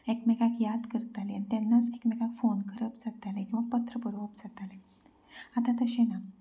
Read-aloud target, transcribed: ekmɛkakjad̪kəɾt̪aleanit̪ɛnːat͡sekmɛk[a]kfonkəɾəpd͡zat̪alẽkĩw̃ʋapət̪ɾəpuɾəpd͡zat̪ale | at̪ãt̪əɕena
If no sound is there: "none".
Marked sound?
a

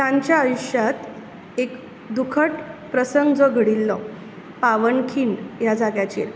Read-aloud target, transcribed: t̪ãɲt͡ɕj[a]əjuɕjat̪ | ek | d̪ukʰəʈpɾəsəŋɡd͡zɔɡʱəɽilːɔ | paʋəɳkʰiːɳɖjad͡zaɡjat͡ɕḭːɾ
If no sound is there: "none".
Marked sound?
a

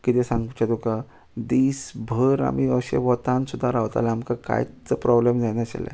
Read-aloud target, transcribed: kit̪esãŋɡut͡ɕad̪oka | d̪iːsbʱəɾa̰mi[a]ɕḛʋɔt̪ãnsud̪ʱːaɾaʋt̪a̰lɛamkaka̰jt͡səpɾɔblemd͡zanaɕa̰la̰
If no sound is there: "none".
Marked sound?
ə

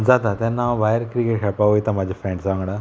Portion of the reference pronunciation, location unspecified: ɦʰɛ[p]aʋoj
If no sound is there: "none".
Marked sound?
p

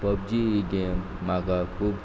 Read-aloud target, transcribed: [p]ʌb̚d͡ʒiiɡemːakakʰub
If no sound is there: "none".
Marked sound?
p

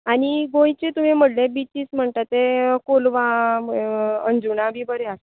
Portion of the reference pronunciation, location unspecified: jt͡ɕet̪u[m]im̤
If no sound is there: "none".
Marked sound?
m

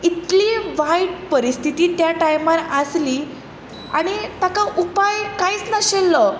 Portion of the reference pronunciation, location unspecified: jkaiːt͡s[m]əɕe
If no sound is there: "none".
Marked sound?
n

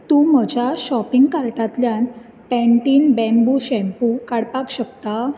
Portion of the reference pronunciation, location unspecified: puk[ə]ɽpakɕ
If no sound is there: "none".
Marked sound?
a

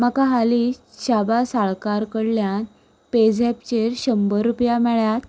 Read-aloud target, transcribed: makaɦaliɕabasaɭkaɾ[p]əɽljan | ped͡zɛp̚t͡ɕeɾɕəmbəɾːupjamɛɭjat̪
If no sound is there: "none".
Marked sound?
k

